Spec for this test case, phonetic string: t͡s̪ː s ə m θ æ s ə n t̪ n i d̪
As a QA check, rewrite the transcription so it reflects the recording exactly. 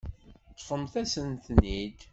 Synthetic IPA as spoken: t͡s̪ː f ə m θ æ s ə n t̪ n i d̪